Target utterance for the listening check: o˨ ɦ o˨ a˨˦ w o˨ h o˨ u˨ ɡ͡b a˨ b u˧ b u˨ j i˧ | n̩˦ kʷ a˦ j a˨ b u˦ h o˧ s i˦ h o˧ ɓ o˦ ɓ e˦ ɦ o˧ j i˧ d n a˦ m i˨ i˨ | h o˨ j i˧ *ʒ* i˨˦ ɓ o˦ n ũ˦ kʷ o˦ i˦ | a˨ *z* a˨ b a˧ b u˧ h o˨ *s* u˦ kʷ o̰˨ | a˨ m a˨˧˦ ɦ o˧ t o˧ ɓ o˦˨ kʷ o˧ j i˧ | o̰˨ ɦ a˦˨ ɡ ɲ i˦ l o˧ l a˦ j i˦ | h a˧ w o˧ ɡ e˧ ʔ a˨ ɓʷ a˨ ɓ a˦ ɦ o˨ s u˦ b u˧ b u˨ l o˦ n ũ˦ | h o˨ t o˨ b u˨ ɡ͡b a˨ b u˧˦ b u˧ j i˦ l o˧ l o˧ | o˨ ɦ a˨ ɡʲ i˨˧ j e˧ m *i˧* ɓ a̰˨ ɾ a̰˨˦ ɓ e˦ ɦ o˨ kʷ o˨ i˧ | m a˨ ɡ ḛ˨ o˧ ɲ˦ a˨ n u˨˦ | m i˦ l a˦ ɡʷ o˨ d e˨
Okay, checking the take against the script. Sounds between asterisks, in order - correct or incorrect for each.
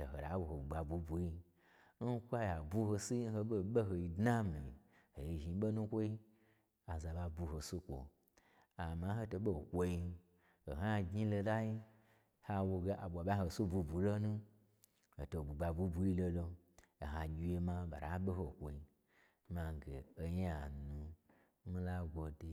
correct, correct, correct, incorrect

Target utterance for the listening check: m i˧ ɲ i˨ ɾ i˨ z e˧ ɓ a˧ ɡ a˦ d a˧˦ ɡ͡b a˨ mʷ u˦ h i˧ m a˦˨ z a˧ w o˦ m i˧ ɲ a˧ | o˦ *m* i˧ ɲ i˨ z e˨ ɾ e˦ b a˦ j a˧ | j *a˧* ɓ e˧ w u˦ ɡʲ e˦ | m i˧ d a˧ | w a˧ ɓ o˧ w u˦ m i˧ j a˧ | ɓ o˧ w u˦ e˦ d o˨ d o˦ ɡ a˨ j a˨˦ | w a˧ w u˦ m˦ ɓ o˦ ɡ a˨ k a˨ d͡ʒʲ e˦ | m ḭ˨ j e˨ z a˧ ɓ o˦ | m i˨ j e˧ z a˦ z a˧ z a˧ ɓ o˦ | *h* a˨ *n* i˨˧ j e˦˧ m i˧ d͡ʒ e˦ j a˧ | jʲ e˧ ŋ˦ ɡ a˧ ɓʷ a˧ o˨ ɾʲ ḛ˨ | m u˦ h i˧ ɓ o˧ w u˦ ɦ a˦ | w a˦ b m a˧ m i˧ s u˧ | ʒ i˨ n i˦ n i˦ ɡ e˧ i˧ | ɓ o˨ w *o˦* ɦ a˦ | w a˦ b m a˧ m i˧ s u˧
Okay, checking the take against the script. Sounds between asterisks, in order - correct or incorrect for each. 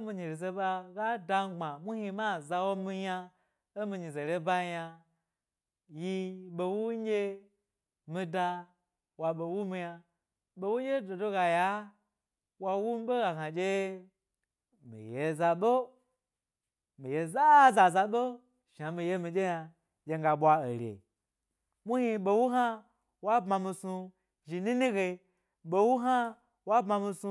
correct, incorrect, incorrect, incorrect, incorrect

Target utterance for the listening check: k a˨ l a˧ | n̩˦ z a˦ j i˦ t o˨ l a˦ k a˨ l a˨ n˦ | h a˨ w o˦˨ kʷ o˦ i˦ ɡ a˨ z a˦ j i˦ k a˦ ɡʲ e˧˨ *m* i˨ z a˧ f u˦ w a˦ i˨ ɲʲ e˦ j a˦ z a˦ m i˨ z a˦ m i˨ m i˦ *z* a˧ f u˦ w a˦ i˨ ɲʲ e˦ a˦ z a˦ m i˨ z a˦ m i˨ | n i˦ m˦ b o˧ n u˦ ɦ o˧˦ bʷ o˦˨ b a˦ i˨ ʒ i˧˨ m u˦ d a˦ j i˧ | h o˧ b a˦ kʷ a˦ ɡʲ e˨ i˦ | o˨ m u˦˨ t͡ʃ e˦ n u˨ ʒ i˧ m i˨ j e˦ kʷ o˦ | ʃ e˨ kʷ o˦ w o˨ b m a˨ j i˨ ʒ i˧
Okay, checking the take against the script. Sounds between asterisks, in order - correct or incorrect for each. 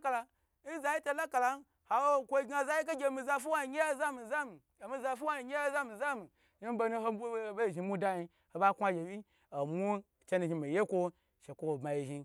correct, correct

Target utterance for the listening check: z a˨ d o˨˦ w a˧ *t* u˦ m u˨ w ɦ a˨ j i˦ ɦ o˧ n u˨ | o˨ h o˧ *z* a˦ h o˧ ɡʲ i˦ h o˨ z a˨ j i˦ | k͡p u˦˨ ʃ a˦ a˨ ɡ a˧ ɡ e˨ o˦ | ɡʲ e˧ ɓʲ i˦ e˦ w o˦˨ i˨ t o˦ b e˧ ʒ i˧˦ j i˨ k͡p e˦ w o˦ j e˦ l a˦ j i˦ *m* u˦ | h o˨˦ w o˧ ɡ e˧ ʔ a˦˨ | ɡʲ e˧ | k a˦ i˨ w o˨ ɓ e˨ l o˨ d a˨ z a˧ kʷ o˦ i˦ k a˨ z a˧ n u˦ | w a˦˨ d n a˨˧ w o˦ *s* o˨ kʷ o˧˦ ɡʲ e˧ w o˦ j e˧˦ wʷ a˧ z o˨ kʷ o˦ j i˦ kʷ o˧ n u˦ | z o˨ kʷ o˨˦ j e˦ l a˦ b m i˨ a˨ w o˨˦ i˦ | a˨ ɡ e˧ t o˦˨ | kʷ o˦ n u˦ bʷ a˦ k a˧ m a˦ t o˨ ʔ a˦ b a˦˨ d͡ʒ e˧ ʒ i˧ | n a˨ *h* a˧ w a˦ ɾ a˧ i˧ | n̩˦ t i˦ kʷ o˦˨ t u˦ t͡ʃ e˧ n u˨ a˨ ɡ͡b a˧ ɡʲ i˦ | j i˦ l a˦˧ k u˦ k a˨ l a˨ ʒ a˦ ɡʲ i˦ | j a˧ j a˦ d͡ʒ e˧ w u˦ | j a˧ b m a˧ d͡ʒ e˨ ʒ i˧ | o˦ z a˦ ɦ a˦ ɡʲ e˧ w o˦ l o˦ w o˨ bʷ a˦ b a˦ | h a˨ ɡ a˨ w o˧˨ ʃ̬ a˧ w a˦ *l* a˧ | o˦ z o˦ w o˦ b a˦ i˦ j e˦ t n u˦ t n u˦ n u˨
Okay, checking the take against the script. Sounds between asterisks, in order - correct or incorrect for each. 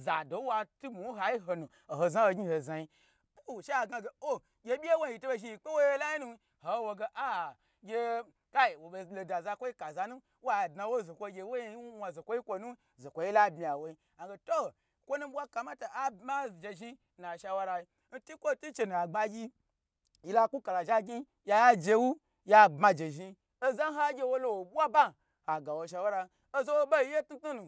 correct, correct, incorrect, incorrect, incorrect, incorrect

